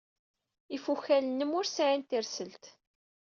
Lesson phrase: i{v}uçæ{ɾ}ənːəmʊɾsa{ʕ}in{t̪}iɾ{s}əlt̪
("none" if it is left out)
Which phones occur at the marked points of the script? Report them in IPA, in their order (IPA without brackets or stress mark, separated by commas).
f, l, ʕ, t̪, s